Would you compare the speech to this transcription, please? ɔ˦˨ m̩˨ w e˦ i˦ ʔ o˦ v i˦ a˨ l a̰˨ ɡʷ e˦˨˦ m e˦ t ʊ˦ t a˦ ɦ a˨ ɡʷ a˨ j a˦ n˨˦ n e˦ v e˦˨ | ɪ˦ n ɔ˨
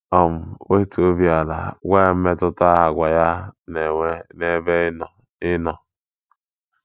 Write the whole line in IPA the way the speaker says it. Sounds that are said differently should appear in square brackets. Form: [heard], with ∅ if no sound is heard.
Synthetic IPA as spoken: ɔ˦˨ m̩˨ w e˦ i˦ [t] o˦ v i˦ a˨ l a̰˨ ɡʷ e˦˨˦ m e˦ t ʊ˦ t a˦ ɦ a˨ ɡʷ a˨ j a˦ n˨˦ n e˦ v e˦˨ | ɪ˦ n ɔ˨